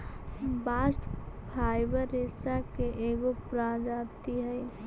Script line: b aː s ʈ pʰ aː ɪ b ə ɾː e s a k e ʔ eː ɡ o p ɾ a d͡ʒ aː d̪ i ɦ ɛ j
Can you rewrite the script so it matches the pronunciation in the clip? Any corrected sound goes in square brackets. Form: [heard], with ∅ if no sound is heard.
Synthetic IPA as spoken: b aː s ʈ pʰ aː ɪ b ə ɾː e s a k e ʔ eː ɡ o p ɾ a d͡ʒ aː [t̪] i ɦ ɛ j